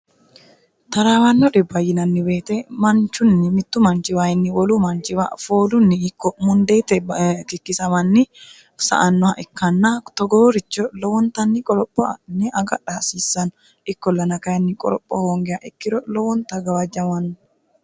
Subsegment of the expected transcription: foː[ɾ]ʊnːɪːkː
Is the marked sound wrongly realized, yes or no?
yes